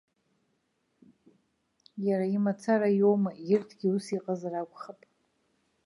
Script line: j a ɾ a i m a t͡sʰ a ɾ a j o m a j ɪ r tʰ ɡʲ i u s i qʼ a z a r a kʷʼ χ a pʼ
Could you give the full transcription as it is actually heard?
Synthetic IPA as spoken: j a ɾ a i m a t͡sʰ a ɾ a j o m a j ɪ r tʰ ɡʲ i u s i qʼ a z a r a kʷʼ χ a pʼ